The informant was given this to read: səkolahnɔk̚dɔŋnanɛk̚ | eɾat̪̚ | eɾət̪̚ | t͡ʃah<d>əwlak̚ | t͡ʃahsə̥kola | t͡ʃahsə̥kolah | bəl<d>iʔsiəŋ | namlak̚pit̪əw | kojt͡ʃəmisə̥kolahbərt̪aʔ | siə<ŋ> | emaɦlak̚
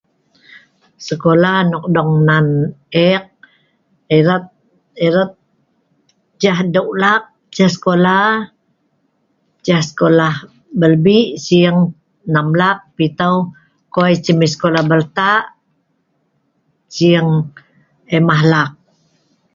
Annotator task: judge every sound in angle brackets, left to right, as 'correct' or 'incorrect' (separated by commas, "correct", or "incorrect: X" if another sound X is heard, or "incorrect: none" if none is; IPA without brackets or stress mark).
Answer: correct, incorrect: b, correct